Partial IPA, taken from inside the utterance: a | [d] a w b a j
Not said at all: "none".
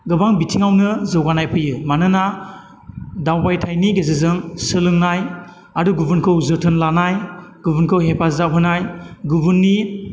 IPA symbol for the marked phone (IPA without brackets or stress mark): d